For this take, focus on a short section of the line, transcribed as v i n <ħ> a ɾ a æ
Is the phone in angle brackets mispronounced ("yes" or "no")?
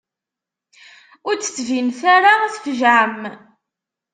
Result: yes